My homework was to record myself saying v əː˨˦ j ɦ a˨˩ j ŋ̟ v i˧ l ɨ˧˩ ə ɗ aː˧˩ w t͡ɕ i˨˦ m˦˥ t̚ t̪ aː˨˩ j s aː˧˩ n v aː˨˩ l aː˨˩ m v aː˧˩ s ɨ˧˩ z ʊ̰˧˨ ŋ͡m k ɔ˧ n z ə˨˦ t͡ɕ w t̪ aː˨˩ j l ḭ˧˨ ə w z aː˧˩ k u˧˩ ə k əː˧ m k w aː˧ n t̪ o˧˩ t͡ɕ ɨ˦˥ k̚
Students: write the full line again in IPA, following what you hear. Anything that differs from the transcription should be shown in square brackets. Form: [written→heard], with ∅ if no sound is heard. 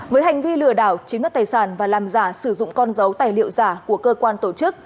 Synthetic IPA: v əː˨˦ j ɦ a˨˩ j ŋ̟ v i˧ l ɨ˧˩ ə ɗ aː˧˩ w t͡ɕ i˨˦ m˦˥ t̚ t̪ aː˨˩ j s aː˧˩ n v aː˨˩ l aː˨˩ m [v→z] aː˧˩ s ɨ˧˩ z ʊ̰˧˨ ŋ͡m k ɔ˧ n z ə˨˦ [t͡ɕ→∅] w t̪ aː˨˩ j l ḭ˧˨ ə w z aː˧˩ k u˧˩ ə k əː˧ [m→∅] k w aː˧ n t̪ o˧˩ t͡ɕ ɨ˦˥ k̚